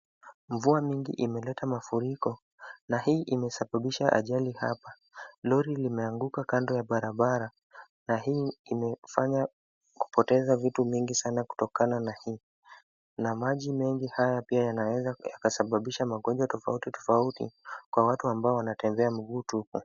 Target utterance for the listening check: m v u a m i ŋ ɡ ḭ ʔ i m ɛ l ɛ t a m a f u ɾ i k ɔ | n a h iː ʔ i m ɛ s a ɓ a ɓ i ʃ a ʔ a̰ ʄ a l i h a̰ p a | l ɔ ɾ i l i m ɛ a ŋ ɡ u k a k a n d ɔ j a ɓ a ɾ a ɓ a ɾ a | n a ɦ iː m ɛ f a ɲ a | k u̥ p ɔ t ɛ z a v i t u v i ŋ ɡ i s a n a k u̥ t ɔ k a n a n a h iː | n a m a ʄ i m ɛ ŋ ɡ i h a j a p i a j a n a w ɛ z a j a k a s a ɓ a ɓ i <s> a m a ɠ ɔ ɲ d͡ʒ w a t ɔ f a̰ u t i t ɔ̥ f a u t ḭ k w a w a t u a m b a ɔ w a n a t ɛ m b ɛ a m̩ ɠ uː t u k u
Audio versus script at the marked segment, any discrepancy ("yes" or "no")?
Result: yes